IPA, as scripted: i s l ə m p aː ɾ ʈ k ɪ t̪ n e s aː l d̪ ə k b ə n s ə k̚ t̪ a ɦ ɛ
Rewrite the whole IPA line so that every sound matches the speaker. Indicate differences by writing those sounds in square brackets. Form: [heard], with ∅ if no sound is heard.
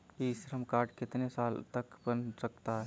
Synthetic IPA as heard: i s [ɾ] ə m [k] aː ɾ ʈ k ɪ t̪ n e s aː l [t̪] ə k b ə n s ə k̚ t̪ a ɦ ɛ

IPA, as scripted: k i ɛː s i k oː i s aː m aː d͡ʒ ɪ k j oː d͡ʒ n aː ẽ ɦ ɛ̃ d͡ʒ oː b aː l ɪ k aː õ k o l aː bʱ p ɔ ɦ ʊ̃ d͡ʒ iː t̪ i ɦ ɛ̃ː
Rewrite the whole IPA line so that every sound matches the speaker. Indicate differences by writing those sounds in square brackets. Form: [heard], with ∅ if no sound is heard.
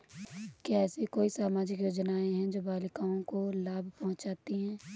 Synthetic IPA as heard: k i ɛː s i k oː i s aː m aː d͡ʒ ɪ k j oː d͡ʒ n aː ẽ ɦ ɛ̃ d͡ʒ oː b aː l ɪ k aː õ k o l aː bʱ p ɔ ɦ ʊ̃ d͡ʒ [aː] t̪ i ɦ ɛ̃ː

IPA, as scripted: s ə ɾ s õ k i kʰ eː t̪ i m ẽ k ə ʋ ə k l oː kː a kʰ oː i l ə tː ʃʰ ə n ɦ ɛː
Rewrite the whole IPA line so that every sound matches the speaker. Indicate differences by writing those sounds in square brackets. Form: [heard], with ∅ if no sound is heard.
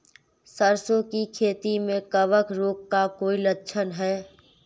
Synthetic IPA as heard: s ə ɾ s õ k i kʰ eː t̪ i m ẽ k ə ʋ ə k [ɾ] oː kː a [k] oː i l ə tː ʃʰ ə n ɦ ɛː

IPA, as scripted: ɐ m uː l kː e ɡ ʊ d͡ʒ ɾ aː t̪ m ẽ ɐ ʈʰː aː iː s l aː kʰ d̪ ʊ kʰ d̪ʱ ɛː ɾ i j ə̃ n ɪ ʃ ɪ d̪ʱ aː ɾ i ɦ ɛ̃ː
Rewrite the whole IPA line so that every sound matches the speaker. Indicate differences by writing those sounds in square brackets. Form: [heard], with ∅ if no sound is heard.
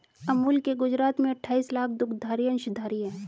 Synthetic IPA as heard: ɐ m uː l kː e ɡ ʊ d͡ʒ ɾ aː t̪ m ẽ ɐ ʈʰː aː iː s l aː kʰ d̪ ʊ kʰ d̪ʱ [aː] ɾ i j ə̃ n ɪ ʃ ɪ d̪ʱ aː ɾ i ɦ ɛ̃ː

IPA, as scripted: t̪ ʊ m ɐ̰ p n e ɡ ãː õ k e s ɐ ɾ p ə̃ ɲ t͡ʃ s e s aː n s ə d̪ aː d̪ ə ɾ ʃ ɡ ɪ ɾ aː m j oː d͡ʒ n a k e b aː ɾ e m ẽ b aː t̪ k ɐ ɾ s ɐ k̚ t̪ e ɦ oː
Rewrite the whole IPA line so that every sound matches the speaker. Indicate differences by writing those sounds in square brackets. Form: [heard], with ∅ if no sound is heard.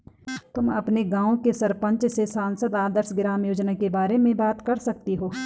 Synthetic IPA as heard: t̪ ʊ m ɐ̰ p n e ɡ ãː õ k e s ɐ ɾ p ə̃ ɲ t͡ʃ s e s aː n s ə d̪ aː d̪ ə ɾ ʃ ɡ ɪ ɾ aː m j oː d͡ʒ n a k e b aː ɾ e m ẽ b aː t̪ k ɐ ɾ s ɐ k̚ t̪ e ɦ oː

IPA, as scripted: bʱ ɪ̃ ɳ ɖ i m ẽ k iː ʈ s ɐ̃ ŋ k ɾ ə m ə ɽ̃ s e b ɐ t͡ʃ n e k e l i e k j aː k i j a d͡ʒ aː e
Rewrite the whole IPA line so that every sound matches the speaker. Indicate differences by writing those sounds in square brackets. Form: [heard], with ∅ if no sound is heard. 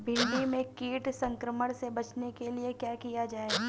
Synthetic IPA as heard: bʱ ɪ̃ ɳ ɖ i m ẽ k iː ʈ s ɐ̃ ŋ k ɾ ə m ə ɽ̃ s e b ɐ t͡ʃ n e k e l i e k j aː k i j a d͡ʒ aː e

